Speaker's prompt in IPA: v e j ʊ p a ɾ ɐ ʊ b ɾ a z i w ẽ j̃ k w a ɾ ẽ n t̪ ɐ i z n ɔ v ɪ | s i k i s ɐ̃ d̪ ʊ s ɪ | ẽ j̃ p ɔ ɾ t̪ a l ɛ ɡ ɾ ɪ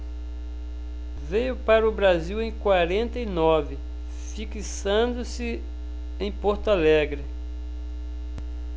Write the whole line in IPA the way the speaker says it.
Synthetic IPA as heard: v e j ʊ p a ɾ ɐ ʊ b ɾ a z i w ẽ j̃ k w a ɾ ẽ n t̪ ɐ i n ɔ v ɪ | f i k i s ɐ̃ d̪ ʊ s ɪ | ẽ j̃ p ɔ ɾ t̪ a l ɛ ɡ ɾ ɪ